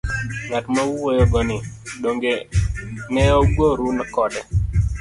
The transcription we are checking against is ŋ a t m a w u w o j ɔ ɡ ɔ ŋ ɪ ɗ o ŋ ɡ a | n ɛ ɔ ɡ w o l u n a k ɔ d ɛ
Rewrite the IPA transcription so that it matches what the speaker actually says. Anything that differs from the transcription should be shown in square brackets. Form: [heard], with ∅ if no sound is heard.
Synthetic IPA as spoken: ŋ a t m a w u w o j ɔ ɡ ɔ [n] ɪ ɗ o ŋ ɡ [e] | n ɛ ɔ ɡ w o [ɾ] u n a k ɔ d ɛ

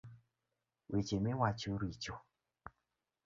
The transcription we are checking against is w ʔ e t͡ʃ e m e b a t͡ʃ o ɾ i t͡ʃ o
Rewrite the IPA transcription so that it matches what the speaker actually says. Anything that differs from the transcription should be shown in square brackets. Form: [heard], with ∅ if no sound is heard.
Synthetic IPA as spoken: w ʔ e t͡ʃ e m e [w] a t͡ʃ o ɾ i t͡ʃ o

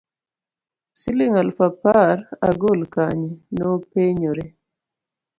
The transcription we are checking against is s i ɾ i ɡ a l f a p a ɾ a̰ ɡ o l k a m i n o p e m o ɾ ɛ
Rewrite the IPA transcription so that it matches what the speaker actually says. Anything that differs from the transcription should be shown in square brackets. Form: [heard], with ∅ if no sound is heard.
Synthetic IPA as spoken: s i [l] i [ŋ] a l f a p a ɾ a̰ ɡ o l k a [ɲ] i n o p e [ɲ] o ɾ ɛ

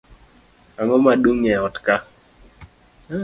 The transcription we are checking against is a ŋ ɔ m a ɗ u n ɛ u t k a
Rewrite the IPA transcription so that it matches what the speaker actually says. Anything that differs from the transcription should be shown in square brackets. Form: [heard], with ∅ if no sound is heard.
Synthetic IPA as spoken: a ŋ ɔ m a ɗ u [ŋ] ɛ [ɔ] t k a

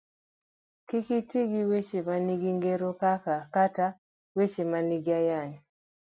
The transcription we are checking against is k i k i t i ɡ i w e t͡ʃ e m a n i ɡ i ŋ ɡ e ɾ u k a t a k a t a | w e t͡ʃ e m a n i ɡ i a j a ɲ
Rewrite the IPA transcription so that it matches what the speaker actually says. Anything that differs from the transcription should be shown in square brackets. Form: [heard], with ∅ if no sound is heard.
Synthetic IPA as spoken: k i k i t i ɡ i w e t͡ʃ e m a n i ɡ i ŋ ɡ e ɾ [o] k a [k] a k a t a | w e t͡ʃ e m a n i ɡ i a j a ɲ

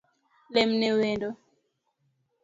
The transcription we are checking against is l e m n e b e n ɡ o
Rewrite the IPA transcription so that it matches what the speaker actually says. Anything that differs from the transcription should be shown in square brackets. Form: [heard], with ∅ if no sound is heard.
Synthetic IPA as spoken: l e m n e [w] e n [d] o

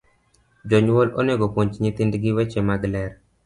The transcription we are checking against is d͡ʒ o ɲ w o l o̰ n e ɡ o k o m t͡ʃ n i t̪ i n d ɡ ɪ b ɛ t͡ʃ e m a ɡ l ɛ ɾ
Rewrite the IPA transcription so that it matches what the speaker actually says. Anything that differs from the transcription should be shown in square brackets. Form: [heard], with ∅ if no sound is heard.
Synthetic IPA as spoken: d͡ʒ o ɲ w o l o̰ n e ɡ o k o [ɲ] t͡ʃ [ɲ] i t̪ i n d ɡ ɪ [w] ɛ t͡ʃ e m a ɡ l ɛ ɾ

